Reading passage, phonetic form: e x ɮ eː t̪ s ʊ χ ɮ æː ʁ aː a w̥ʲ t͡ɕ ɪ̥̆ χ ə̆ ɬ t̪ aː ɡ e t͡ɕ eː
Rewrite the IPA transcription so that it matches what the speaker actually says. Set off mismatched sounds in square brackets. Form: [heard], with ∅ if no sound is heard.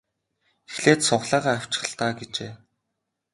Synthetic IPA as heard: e x ɮ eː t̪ s ʊ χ ɮ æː ʁ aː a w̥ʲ t͡ɕ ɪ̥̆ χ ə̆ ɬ t̪ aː ɡ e t͡ɕ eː